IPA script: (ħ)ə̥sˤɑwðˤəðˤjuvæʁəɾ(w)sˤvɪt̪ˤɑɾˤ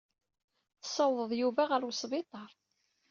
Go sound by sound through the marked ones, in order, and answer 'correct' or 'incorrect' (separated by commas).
incorrect, correct